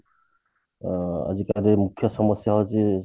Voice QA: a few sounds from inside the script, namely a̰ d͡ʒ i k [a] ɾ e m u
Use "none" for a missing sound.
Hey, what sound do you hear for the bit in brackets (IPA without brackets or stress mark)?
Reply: a